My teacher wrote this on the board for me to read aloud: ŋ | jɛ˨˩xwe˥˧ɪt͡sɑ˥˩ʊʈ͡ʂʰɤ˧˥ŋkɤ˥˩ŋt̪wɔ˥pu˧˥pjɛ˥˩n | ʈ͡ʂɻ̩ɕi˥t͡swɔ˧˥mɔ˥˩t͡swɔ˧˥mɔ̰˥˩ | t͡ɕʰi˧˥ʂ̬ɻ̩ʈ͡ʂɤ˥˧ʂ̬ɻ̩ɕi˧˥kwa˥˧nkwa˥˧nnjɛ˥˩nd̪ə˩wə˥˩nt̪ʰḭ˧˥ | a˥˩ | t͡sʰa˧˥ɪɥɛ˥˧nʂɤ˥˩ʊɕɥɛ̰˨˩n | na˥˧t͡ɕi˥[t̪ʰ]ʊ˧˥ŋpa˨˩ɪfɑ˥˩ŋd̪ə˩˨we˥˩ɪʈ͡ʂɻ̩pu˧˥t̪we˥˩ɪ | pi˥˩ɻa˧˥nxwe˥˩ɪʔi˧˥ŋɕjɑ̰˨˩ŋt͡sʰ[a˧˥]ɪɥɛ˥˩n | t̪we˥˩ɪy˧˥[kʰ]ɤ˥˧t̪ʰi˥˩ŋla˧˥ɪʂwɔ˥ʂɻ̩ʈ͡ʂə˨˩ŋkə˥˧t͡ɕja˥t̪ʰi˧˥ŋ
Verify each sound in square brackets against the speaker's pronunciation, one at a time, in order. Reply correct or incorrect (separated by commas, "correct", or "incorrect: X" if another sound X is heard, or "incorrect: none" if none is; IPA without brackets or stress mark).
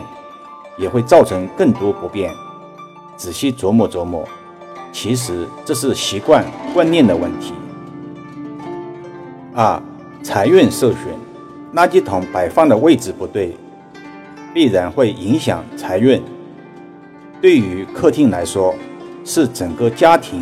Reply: correct, correct, correct